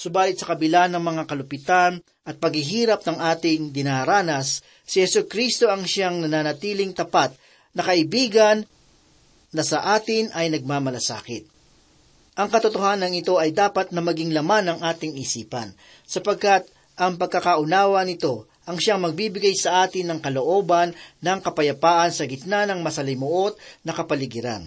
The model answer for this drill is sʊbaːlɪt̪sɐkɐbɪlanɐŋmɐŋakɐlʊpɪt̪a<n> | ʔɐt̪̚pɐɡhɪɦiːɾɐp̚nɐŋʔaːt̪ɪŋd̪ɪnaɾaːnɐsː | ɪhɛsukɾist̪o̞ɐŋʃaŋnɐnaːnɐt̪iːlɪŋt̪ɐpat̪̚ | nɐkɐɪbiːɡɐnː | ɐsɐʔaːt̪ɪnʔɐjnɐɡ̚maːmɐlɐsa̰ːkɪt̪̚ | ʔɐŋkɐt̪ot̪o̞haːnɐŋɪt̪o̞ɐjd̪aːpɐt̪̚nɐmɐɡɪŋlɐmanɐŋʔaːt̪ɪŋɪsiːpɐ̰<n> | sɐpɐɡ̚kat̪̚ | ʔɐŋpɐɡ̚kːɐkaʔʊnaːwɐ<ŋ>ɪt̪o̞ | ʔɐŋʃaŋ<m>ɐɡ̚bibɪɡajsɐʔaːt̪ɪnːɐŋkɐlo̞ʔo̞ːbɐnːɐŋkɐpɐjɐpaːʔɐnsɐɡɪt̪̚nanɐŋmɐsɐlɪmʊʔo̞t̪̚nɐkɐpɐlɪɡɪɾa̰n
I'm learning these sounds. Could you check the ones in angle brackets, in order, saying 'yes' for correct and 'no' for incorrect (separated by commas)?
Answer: yes, yes, no, yes